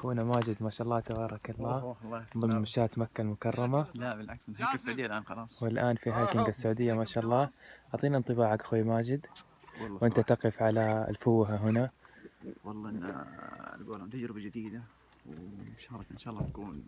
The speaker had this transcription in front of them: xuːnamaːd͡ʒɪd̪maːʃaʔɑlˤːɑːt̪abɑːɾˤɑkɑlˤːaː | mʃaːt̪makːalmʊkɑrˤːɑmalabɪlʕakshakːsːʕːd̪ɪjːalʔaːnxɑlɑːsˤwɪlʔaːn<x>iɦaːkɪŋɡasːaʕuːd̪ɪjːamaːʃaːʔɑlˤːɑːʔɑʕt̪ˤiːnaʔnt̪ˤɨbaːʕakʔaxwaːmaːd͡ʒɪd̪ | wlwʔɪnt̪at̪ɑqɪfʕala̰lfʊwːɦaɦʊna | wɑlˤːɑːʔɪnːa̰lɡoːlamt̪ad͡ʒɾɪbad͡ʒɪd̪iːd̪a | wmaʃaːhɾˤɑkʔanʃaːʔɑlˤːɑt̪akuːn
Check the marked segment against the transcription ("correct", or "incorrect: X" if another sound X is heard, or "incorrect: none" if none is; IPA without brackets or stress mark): incorrect: f